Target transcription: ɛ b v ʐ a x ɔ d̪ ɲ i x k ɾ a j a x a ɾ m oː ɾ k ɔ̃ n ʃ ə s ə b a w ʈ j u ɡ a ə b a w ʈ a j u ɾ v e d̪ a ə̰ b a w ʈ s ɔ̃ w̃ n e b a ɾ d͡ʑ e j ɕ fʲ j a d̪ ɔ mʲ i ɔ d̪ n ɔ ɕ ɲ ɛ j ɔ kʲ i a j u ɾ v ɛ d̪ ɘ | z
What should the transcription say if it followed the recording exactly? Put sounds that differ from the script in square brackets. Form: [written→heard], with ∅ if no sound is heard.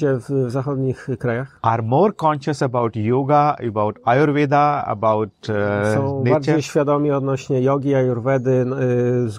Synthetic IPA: ɛ [b→v] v [ʐ→z] a x ɔ d̪ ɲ i x k ɾ a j a x a ɾ m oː ɾ k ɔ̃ n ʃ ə s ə b a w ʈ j u ɡ a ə b a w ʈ a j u ɾ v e d̪ a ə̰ b a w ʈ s ɔ̃ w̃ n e b a ɾ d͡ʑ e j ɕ fʲ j a d̪ ɔ mʲ i ɔ d̪ n ɔ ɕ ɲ ɛ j ɔ [kʲ→ɡʲ] i a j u ɾ v ɛ d̪ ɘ | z